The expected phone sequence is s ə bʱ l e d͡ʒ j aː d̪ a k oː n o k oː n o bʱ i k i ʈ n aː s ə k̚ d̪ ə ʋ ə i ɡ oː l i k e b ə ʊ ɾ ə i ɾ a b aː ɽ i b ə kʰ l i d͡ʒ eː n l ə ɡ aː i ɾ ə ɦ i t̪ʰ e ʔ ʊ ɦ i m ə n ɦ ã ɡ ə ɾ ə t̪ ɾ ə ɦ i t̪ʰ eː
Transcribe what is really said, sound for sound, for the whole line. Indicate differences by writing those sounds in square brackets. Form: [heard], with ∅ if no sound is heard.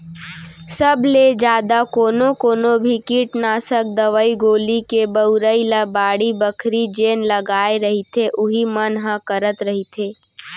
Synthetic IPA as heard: s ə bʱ l e d͡ʒ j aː d̪ a k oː n o k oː n o bʱ i k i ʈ n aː s ə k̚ d̪ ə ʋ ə i ɡ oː l i k e b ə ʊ ɾ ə i [l] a b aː ɽ i b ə kʰ [ɾ] i d͡ʒ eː n l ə ɡ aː [e] ɾ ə ɦ i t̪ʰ e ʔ ʊ ɦ i m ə n ɦ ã [k] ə ɾ ə t̪ ɾ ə ɦ i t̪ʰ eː